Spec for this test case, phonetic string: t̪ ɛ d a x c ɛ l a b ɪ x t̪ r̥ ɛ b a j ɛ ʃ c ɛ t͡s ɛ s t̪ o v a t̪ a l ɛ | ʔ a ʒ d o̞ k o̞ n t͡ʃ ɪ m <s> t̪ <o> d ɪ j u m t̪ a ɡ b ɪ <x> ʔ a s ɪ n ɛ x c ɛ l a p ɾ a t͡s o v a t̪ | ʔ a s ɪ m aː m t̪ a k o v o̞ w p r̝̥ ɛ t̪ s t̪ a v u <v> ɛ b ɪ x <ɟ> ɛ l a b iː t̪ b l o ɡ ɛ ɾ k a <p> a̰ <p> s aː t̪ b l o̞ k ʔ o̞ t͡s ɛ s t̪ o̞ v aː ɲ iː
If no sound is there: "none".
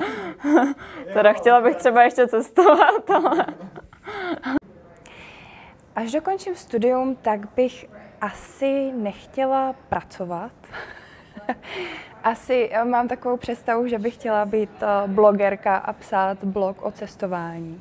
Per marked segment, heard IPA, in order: s, u, x, ʒ, c, ʔ, p

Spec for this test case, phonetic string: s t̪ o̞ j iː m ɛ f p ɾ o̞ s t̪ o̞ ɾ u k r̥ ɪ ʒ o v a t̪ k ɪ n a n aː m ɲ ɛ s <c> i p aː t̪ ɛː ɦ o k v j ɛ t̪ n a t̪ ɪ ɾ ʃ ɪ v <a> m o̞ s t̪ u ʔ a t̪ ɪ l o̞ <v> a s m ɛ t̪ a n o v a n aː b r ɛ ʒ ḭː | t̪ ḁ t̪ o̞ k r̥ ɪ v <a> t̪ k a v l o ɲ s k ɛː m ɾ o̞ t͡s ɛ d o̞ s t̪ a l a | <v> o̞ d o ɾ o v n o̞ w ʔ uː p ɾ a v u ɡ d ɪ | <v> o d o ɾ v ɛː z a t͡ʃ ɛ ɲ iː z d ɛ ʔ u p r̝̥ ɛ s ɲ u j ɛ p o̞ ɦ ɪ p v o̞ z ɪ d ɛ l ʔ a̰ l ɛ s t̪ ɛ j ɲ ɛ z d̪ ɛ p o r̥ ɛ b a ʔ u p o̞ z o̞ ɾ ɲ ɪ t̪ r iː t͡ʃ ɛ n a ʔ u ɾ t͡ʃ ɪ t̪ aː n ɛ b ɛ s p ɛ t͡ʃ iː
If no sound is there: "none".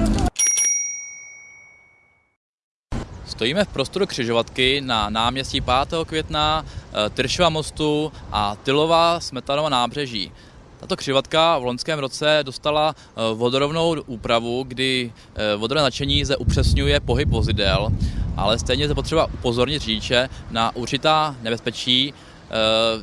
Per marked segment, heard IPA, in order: c, a, v, a, v, v

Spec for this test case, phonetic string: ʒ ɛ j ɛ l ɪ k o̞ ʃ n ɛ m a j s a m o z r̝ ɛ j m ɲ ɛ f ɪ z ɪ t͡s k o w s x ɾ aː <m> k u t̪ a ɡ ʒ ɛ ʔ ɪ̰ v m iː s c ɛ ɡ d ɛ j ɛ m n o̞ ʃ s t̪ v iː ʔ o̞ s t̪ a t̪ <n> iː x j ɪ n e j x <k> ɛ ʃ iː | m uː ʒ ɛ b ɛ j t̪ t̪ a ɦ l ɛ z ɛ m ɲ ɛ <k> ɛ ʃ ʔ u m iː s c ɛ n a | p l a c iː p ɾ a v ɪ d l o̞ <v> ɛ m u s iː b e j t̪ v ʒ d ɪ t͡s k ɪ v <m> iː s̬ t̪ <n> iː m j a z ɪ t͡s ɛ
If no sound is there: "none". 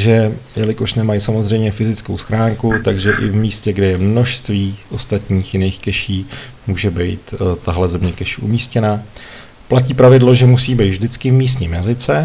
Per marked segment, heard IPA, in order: ŋ, ɲ, k, k, ʒ, m, ɲ

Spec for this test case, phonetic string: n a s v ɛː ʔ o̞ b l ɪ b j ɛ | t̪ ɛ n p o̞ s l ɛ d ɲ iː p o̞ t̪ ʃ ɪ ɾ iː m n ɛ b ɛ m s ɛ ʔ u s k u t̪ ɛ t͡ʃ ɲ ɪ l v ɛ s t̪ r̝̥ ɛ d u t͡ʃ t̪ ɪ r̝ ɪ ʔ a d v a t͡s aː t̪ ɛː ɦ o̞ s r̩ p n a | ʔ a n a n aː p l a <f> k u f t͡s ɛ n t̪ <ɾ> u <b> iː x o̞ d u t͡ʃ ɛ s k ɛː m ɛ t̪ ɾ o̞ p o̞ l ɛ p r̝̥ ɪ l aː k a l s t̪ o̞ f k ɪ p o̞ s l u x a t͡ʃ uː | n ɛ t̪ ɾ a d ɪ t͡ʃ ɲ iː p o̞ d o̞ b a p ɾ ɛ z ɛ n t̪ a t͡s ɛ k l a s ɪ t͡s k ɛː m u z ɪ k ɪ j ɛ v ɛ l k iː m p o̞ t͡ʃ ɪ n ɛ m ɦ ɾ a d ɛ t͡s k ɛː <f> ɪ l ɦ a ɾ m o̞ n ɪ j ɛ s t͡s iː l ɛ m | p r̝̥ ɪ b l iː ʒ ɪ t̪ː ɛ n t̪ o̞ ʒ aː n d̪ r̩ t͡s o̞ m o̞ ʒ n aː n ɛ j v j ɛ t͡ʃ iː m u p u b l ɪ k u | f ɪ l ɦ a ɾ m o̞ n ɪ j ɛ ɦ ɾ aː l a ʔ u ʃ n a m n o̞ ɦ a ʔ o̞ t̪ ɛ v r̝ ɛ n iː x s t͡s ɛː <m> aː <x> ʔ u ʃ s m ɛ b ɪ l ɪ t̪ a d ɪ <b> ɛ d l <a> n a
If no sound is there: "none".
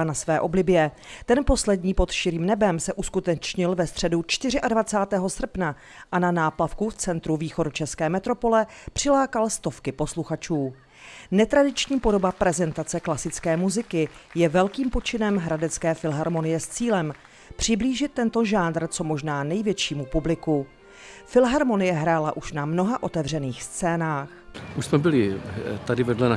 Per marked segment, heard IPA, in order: f, ɾ, v, f, n, x, v, ɛ

